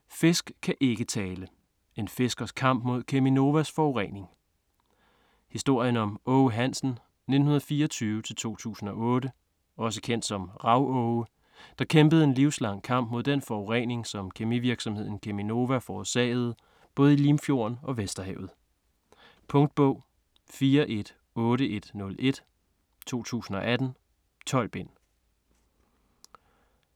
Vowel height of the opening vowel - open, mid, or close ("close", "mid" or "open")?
mid